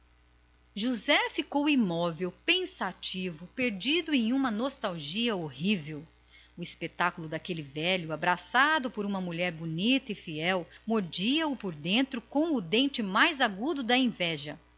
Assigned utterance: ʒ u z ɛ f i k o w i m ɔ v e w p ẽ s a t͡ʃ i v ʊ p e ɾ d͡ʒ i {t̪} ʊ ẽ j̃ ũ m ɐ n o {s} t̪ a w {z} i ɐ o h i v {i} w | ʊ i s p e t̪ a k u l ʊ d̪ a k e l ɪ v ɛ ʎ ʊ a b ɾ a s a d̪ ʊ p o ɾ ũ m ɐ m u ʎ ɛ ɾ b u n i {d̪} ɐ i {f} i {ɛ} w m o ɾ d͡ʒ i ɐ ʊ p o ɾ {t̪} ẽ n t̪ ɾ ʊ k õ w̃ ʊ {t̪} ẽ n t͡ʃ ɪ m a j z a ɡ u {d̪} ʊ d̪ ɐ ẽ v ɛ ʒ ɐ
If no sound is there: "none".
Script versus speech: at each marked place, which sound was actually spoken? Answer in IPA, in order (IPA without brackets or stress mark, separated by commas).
d̪, s, ʒ, e, t̪, f, ɛ, d̪, d̪, d̪